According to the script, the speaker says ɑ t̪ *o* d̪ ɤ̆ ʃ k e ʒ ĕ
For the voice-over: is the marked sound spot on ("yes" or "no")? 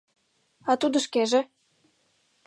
no